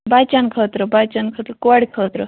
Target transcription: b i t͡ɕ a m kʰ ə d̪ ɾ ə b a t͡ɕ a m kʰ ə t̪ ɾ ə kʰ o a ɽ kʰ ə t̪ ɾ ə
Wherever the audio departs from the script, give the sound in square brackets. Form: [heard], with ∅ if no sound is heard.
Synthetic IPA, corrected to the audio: b [a] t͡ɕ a [n] kʰ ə [t̪] ɾ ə b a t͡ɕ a [n] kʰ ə t̪ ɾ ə [k] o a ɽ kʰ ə t̪ ɾ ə